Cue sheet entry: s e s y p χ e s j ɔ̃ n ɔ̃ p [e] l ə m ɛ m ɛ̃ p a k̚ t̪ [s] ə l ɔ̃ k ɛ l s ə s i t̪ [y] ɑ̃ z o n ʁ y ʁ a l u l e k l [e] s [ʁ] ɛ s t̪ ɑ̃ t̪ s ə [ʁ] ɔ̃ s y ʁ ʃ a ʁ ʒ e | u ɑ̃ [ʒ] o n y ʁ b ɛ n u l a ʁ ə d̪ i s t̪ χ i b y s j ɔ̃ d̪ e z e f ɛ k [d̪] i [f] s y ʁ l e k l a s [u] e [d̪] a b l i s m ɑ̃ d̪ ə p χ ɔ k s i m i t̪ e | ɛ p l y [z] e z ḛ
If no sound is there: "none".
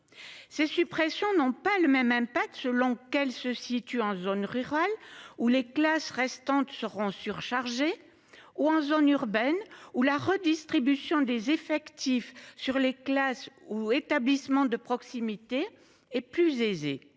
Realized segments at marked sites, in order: a, s, y, a, ʁ, ʁ, z, t̪, f, u, t̪, z

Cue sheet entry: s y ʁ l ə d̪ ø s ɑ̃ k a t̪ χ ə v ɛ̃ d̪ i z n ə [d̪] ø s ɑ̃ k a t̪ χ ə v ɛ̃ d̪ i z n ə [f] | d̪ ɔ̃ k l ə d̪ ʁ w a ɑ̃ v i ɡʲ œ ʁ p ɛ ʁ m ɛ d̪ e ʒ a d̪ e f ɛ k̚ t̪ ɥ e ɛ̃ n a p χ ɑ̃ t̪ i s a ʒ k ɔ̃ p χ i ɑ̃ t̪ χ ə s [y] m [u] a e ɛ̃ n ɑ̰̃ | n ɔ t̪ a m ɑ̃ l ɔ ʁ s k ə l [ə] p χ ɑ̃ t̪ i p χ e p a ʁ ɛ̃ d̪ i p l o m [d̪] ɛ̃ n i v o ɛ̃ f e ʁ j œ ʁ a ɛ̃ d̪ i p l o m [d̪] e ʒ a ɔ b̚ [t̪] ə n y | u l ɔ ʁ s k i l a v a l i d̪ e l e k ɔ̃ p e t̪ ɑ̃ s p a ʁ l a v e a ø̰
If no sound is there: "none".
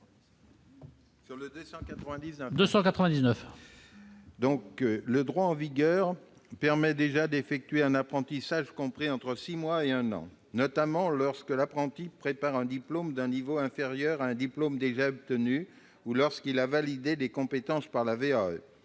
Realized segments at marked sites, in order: d̪, f, i, w, a, d̪, d̪, t̪

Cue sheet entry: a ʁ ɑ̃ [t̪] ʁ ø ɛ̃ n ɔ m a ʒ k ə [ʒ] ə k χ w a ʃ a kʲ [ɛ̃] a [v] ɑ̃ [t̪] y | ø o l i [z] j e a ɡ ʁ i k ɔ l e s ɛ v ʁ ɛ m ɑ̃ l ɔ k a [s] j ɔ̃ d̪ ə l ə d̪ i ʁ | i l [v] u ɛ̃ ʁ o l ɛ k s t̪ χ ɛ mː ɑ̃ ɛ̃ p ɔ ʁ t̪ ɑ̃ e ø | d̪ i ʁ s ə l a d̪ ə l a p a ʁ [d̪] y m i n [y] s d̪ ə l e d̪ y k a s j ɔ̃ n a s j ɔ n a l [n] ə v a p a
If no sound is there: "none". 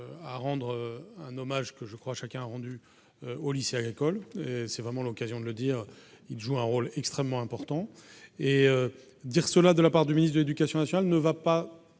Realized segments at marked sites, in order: d̪, ʒ, ɛ̃, ʁ, d̪, s, z, ʒ, d̪, i, n

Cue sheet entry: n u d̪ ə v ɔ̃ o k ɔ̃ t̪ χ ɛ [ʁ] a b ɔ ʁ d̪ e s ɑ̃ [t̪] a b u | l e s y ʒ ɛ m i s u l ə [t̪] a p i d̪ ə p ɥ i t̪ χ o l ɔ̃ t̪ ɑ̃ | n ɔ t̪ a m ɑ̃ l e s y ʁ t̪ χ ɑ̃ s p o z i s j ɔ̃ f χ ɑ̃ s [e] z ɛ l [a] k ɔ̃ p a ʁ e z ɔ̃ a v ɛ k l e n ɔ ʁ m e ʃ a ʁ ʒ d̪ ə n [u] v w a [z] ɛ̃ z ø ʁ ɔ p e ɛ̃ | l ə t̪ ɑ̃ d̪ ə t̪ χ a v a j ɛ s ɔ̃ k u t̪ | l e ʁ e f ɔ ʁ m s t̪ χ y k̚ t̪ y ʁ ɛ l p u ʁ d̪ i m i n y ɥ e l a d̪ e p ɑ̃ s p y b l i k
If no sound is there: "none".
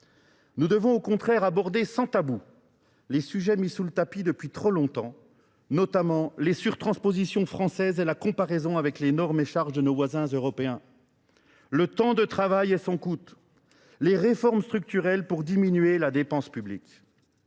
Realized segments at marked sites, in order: ʁ, t̪, t̪, ɛ, a, o, z

